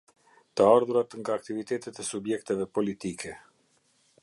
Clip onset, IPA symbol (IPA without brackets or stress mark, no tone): t̪